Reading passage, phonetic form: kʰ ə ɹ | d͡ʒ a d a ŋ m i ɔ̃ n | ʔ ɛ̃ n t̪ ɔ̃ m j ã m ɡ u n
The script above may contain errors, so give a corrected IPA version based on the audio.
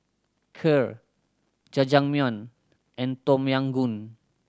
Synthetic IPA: kʰ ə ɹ | d͡ʒ a d͡ʒ a ŋ m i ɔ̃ n | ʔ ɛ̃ n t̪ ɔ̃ m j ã ŋ ɡ u n